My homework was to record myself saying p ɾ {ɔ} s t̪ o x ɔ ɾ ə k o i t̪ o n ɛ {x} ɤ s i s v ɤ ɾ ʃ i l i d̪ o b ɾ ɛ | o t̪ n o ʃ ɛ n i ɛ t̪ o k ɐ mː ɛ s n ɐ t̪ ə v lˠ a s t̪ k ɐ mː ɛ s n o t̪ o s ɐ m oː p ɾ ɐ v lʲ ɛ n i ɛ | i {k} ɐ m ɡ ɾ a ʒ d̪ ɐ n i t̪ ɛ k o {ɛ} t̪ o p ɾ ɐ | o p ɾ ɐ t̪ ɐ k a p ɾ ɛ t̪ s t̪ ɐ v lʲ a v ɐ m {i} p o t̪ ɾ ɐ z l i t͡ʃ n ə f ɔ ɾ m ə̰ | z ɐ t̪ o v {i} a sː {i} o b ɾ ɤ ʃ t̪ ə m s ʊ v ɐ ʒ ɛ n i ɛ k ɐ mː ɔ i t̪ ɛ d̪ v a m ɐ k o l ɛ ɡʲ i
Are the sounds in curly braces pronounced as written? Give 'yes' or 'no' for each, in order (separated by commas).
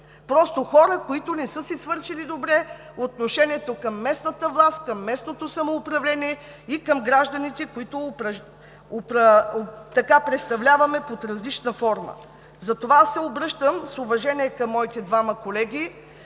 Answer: yes, no, yes, no, no, no, no